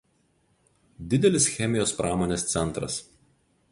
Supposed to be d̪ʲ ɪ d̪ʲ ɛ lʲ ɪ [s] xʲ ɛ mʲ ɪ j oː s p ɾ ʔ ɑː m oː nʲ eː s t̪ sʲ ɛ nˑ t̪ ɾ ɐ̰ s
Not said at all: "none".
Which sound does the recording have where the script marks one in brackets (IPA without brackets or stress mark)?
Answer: s